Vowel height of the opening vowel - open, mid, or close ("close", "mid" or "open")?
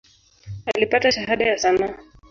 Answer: open